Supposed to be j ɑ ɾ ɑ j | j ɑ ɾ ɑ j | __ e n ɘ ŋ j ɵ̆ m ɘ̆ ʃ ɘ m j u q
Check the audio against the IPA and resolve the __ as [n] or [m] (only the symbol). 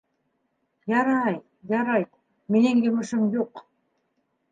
m